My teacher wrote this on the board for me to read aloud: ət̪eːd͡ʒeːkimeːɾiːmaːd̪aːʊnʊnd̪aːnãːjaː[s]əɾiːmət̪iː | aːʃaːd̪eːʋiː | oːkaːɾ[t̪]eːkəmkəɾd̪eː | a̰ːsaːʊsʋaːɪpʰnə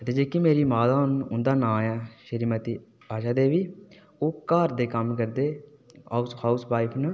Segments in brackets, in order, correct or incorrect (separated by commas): incorrect, incorrect